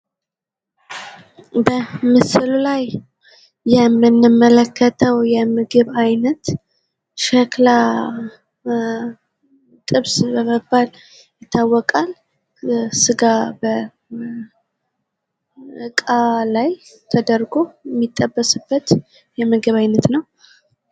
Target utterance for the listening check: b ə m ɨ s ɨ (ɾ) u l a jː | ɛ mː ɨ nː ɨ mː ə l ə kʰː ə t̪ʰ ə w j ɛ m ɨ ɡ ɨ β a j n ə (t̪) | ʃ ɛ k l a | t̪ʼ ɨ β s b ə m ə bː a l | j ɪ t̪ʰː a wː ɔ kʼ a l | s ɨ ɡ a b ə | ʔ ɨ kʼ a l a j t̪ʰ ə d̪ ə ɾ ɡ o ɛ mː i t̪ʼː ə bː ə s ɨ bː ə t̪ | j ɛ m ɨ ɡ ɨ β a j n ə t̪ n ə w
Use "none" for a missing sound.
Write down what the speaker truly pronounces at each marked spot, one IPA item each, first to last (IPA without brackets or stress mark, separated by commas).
l, t̪